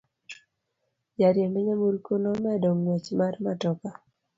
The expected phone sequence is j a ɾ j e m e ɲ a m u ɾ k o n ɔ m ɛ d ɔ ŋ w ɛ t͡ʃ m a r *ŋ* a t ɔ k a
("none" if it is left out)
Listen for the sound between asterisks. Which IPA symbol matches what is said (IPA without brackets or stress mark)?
m